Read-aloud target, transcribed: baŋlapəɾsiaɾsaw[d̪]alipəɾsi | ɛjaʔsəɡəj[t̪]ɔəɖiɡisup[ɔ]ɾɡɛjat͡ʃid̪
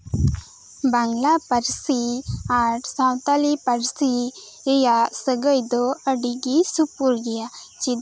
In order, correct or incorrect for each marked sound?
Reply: incorrect: t̪, incorrect: d̪, incorrect: u

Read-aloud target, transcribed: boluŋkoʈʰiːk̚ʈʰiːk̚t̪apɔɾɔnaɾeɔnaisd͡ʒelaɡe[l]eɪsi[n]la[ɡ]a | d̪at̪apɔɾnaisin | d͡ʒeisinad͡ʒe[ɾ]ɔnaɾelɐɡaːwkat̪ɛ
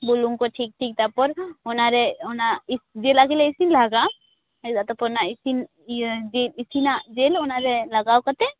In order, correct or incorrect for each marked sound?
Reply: correct, correct, correct, incorrect: l

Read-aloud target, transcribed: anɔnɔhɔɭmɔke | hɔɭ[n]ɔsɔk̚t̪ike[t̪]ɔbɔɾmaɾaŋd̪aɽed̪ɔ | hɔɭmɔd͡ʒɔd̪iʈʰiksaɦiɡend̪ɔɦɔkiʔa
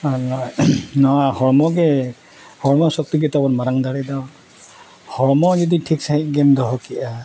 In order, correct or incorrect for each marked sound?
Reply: incorrect: m, correct

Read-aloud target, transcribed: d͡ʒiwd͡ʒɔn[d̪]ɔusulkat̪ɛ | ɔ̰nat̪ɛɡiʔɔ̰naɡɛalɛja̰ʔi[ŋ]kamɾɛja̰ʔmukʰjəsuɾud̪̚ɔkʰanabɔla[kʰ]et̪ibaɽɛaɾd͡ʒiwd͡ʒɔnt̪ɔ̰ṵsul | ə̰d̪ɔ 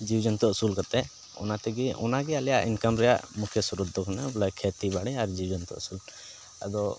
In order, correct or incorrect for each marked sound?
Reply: incorrect: t̪, incorrect: n, correct

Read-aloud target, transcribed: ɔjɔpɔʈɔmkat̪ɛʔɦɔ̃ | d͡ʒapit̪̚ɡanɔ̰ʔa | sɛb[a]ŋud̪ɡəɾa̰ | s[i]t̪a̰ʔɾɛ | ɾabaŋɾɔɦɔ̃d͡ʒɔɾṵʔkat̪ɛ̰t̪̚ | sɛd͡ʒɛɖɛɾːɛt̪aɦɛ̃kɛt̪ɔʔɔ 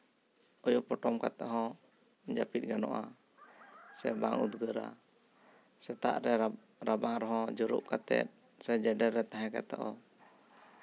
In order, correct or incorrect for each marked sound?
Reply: correct, incorrect: ɛ

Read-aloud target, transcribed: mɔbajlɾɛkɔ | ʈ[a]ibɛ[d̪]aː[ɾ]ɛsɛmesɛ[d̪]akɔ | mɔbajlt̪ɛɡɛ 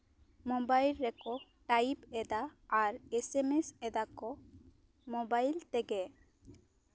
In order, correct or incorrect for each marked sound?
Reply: correct, correct, correct, correct

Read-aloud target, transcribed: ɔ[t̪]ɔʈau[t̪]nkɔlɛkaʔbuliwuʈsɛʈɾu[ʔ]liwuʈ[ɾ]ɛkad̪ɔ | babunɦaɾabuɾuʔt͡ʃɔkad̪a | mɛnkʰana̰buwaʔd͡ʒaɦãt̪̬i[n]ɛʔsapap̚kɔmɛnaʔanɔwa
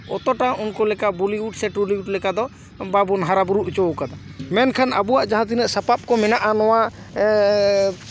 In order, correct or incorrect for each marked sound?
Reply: correct, incorrect: none, incorrect: none, incorrect: l, correct

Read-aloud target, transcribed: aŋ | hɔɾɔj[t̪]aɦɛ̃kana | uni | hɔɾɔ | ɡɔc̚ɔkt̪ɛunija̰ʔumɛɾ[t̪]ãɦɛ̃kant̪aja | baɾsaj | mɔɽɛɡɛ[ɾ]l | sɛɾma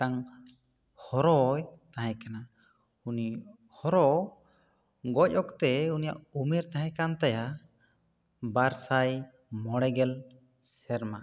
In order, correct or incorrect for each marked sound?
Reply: correct, correct, incorrect: none

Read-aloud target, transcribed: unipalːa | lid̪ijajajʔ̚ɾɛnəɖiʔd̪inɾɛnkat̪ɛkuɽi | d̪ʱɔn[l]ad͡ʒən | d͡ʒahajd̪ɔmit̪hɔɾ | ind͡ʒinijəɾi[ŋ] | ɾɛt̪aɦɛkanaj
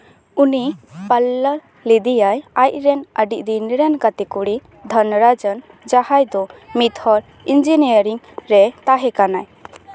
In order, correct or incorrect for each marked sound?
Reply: incorrect: ɾ, correct

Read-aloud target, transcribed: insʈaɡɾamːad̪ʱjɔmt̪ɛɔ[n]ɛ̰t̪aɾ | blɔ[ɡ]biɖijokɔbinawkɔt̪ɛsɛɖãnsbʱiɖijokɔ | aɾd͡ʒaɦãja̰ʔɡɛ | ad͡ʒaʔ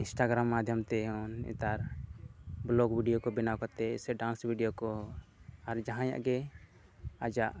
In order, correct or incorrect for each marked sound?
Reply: correct, correct

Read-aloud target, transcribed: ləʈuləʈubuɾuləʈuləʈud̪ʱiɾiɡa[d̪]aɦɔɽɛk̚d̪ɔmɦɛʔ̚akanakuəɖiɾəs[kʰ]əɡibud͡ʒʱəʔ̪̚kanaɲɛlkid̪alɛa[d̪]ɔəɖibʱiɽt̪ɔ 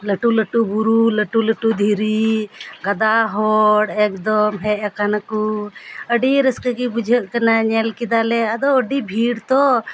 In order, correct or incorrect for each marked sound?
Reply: correct, incorrect: k, correct

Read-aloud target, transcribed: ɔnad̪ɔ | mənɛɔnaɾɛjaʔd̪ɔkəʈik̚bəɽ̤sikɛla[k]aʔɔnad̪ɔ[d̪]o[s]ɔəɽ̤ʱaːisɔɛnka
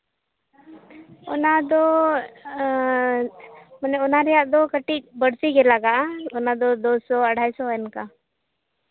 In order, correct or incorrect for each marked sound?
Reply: incorrect: ɡ, correct, correct

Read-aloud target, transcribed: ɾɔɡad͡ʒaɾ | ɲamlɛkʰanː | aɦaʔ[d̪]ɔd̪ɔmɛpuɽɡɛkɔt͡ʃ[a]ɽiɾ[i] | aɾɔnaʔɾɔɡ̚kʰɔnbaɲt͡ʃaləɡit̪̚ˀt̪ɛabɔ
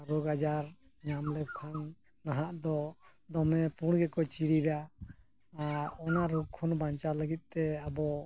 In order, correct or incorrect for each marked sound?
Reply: correct, incorrect: i, incorrect: a

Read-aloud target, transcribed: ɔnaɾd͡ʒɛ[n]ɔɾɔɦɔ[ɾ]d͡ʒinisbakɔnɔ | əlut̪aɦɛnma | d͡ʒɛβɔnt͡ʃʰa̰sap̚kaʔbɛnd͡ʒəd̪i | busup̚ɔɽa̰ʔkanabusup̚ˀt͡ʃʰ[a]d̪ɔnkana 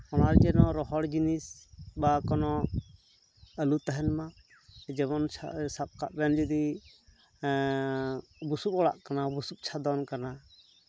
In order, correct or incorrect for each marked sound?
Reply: correct, incorrect: ɽ, correct

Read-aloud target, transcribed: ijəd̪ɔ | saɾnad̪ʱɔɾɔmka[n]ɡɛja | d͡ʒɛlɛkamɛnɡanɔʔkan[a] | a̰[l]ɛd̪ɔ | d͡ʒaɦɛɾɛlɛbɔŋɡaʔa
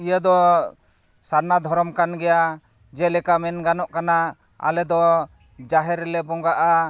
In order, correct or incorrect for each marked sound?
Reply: correct, correct, correct

